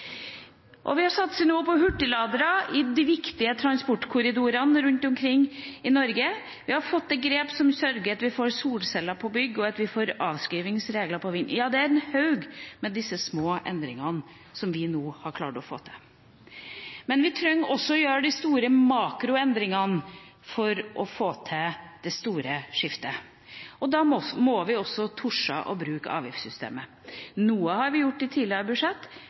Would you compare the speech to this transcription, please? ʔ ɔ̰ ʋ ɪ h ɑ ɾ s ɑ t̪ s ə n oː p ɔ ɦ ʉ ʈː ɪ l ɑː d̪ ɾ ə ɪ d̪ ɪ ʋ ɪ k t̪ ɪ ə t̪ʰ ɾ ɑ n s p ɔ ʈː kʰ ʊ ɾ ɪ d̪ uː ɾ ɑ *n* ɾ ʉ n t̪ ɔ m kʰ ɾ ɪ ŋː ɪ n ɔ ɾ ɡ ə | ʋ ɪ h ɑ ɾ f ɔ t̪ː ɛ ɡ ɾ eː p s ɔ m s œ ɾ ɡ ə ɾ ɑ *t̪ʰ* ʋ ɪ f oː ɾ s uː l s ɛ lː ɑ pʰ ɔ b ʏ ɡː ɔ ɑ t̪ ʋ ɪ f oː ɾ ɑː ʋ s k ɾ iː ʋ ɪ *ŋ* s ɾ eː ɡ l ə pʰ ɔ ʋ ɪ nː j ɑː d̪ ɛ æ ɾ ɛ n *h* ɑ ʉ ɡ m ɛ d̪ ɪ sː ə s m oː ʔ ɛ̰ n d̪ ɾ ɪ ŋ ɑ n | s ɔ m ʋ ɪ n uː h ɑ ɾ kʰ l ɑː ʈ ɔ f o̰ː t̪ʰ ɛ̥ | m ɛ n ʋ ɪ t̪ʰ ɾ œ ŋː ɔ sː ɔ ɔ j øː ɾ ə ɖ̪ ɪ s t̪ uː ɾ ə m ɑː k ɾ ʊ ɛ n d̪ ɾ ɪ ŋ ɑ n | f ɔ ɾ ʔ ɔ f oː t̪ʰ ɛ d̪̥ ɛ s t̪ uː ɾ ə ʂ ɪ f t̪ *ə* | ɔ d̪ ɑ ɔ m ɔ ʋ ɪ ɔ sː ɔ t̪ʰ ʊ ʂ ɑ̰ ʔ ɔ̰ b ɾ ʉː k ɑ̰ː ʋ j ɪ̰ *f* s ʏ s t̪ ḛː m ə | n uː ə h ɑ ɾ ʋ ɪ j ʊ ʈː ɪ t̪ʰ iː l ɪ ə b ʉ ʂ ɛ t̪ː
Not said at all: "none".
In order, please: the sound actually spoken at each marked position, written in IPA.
n, t̪, ŋ, h, ə, f

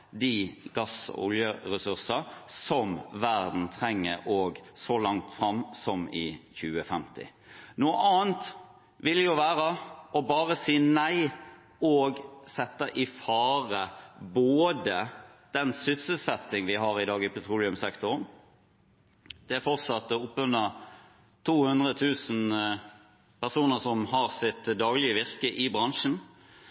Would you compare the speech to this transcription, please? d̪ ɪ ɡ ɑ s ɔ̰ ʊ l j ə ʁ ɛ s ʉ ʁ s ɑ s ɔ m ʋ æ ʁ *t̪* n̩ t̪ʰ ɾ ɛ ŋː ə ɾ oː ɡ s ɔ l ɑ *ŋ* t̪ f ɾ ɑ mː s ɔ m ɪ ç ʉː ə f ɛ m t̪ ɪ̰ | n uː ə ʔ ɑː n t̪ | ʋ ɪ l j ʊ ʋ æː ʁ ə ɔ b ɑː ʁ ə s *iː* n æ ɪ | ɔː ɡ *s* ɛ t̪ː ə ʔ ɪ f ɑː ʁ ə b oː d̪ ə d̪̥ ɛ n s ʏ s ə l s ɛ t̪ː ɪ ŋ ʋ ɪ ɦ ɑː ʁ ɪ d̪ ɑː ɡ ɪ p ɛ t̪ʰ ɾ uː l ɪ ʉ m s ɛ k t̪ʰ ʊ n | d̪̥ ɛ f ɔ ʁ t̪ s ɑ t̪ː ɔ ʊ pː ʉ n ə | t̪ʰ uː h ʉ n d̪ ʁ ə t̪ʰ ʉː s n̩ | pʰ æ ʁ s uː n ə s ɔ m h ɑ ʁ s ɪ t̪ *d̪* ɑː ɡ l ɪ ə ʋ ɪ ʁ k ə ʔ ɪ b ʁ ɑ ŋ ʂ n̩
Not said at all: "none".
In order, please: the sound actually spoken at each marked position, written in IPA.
d̪, ŋ, iː, s, d̪

